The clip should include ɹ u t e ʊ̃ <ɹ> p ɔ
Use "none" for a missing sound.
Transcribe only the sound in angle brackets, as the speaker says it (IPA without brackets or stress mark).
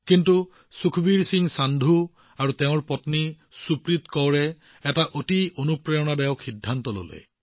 ɹ